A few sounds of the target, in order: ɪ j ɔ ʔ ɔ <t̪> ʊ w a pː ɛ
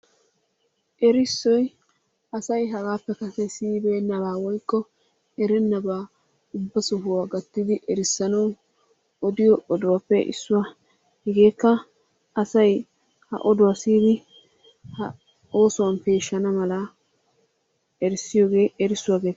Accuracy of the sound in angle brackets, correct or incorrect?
incorrect